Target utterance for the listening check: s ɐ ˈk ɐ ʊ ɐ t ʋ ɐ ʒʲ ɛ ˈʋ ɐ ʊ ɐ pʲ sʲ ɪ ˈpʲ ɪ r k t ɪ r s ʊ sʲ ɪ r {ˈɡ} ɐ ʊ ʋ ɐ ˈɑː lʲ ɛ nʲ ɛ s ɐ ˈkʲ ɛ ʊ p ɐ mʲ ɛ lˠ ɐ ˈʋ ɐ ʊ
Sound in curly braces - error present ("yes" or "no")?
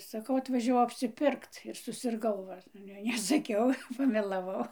no